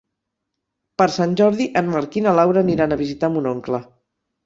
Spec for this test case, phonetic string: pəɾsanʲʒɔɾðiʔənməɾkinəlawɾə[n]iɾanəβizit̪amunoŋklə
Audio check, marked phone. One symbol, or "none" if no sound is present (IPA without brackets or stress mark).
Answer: n